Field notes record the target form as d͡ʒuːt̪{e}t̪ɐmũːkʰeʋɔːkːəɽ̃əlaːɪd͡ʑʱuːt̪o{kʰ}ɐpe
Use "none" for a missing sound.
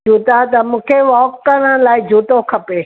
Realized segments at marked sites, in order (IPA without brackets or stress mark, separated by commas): a, kʰ